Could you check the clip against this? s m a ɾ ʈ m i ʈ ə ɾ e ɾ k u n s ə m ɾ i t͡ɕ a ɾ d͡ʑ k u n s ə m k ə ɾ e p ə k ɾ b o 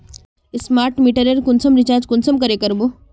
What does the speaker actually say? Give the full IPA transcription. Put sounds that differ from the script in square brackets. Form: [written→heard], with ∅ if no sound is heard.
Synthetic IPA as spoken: s m a ɾ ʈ m i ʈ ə ɾ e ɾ k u n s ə m ɾ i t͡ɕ a ɾ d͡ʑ k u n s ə m k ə ɾ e [p→k] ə [k→∅] ɾ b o